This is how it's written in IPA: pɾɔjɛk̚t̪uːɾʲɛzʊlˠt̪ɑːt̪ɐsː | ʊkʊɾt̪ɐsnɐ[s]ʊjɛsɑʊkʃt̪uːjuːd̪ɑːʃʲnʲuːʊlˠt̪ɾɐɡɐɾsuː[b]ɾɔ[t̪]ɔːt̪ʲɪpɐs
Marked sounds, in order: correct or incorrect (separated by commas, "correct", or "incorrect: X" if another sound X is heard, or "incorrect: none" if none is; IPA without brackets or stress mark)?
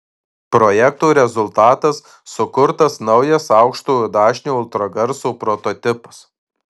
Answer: incorrect: none, incorrect: p, correct